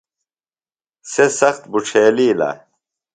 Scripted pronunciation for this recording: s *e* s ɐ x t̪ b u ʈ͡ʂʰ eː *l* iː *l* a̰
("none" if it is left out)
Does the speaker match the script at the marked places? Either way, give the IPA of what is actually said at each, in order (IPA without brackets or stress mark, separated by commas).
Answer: e, l, l